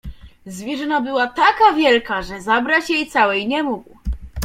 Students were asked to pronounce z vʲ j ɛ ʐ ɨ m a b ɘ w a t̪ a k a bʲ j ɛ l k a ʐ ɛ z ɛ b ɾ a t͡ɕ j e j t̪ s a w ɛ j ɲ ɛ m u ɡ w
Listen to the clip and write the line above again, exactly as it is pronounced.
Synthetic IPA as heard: z vʲ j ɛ ʐ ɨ n a b ɘ w a t̪ a k a vʲ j ɛ l k a ʐ ɛ z a b ɾ a t͡ɕ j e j t̪ s a w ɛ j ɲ ɛ m u ɡ w